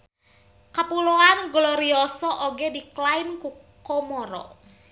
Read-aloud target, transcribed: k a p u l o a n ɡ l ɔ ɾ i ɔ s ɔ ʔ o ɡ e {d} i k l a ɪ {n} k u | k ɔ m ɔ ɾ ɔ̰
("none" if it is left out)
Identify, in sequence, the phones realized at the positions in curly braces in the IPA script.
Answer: d, n

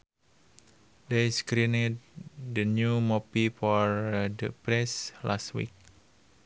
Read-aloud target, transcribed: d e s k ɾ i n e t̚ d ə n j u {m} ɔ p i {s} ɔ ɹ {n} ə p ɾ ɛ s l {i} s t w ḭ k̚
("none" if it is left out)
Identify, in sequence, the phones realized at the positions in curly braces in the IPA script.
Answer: m, f, d, a

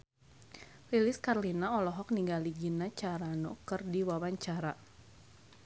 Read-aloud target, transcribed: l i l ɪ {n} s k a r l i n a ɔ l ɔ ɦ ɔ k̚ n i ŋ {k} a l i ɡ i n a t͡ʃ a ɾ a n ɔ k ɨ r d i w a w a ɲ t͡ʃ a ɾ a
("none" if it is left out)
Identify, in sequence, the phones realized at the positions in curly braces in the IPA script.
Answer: none, ɡ

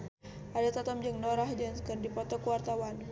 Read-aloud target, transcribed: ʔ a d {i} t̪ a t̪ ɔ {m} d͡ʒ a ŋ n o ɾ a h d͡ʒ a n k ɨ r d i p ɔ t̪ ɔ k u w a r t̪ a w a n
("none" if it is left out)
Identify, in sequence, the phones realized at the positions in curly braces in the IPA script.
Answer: a, m

